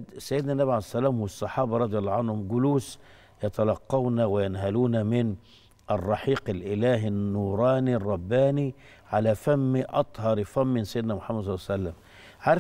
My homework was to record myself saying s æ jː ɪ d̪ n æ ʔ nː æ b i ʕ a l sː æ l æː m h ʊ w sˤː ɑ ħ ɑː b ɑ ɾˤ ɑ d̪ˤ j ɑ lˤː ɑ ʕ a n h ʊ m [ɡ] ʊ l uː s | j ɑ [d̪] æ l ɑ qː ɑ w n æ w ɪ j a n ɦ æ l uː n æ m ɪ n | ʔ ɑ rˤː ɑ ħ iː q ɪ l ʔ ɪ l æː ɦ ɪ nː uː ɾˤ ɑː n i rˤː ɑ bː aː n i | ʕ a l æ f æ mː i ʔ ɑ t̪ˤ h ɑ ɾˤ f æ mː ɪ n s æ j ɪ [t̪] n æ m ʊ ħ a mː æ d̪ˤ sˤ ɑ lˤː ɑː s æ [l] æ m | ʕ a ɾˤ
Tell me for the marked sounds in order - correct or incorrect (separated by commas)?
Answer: correct, incorrect, incorrect, incorrect